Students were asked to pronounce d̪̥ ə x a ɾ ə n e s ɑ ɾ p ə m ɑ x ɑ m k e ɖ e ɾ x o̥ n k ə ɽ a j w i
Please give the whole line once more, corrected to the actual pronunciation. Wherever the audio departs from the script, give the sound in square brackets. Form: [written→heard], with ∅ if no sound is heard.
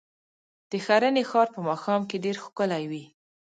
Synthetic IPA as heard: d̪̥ ə x a ɾ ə n e [s→x] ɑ ɾ p ə m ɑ x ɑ m k e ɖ e ɾ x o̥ [n→∅] k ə [ɽ→l] a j w i

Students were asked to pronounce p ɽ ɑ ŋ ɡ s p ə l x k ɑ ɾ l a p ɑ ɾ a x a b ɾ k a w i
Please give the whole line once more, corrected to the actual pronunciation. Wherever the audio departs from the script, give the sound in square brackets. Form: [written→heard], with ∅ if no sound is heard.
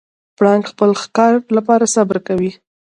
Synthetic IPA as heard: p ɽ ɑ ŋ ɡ [s→x] p ə l x k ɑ ɾ l a p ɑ ɾ a [x→s] a b ɾ k a w i

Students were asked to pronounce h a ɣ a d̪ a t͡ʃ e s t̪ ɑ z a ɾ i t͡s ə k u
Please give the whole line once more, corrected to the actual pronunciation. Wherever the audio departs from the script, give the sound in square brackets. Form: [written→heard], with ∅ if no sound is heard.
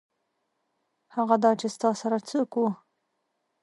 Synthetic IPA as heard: h a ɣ a d̪ [a→ɑ] t͡ʃ e s t̪ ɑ [z→s] a ɾ [i→a] t͡s ə k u

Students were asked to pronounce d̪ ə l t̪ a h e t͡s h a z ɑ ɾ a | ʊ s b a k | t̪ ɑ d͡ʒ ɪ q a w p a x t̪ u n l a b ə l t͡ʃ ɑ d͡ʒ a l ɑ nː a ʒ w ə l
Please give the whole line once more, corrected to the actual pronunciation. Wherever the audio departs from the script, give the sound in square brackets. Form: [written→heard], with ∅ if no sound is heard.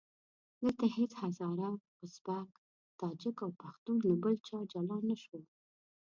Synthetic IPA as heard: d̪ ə l t̪ a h e t͡s h a z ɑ ɾ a | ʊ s b a k | t̪ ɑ d͡ʒ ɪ [q→k] a w p a x t̪ u n l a b ə l t͡ʃ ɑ d͡ʒ a l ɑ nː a [ʒ→ʃ] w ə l

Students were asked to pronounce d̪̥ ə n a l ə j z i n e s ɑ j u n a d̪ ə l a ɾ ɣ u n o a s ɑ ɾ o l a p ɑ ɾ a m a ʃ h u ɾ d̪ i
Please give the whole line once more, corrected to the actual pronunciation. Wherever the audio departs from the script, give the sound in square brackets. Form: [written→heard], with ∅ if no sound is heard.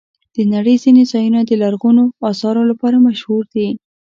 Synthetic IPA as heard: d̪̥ ə n a [l→ɽ] ə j z i n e [s→z] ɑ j u n a d̪ ə l a ɾ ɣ u n o [a→ɑ] s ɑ ɾ o l a p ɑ ɾ a m a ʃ h u ɾ d̪ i

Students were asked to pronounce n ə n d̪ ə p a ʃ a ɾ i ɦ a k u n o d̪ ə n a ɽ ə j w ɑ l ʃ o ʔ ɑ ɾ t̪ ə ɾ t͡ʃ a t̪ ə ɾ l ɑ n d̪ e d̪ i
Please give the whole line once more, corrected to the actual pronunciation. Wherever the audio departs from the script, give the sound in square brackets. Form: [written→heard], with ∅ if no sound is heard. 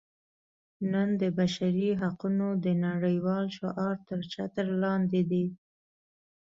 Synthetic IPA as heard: n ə n d̪ ə [p→b] a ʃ a ɾ i ɦ a [k→q] u n o d̪ ə n a ɽ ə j w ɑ l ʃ o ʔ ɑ ɾ t̪ ə ɾ t͡ʃ a t̪ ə ɾ l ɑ n d̪ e d̪ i

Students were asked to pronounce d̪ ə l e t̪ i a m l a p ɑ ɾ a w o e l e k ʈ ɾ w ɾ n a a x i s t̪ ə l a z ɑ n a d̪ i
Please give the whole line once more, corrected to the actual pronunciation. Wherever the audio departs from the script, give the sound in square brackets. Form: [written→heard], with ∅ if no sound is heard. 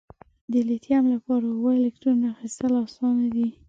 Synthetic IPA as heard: d̪ ə l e t̪ [i→j] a m l a p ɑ ɾ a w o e l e k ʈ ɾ [w→u] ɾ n a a x i s t̪ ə l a [z→s] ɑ n a d̪ i

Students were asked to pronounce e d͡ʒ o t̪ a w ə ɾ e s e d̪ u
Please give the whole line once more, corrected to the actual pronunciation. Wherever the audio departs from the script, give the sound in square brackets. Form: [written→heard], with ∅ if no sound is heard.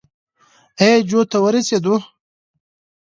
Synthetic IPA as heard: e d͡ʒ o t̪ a w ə ɾ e s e d̪ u

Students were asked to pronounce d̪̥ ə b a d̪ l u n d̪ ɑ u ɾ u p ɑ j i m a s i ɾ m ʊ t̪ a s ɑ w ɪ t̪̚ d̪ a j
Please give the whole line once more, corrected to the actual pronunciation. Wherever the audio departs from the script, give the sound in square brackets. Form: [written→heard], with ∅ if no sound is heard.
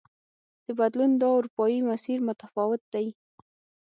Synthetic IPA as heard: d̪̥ ə b a d̪ l u n d̪ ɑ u ɾ u p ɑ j i m a s i ɾ m ʊ t̪ a [s→f] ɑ w ɪ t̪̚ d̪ a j

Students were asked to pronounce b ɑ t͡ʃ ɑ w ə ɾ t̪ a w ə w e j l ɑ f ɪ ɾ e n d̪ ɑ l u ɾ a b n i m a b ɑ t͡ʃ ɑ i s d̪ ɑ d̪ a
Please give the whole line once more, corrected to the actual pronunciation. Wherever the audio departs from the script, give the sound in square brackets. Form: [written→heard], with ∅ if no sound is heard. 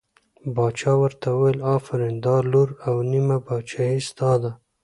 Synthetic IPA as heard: b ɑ t͡ʃ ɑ w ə ɾ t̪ a w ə w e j l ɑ f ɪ ɾ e n d̪ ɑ l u ɾ a [b→w] n i m a b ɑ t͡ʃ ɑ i s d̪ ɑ d̪ a

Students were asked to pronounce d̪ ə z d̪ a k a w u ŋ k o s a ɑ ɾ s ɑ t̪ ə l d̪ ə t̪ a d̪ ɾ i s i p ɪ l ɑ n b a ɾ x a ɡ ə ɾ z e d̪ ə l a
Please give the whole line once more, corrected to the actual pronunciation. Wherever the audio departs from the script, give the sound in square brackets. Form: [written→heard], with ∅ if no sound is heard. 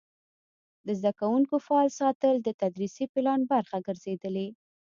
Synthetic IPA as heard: d̪ ə z d̪ a k a w u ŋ k o [s→f] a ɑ [ɾ→l] s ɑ t̪ ə l d̪ ə t̪ a d̪ ɾ i s i p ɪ l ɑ n b a ɾ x a ɡ ə ɾ z e d̪ ə l [a→e]

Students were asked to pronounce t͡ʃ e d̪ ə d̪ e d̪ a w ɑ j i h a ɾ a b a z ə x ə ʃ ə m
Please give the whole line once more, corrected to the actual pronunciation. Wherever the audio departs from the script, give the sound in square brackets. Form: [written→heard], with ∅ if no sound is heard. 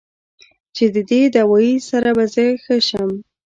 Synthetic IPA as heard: t͡ʃ e d̪ ə d̪ e d̪ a w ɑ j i [h→s] a ɾ a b a z ə x ə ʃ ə m

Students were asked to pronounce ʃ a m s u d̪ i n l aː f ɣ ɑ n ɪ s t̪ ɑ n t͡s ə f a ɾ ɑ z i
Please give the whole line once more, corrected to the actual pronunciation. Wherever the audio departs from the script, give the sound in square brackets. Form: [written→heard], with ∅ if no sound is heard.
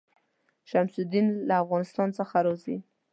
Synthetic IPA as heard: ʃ a m s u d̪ i n l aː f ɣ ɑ n ɪ s t̪ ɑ n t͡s ə [f→x] a ɾ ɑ z i

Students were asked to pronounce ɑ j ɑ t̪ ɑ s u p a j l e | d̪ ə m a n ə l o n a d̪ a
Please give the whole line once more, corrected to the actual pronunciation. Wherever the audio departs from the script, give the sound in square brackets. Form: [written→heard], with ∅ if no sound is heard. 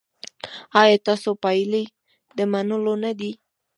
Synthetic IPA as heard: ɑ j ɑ t̪ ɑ s [u→o] p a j l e | d̪ ə m a n ə l o n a d̪ [a→i]

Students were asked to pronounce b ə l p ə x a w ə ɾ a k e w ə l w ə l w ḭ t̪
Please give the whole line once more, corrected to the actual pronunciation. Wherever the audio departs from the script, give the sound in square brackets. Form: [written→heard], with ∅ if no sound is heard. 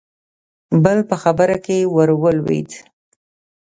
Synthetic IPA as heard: b ə l p ə x a [w→b] ə ɾ a k e w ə [l→ɾ] w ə l w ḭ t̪

